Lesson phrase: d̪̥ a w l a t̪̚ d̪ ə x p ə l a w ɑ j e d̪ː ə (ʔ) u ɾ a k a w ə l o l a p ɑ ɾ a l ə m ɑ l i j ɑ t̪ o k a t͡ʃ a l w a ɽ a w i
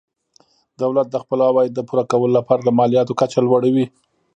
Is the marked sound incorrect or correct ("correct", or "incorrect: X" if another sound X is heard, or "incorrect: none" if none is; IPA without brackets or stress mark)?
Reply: incorrect: p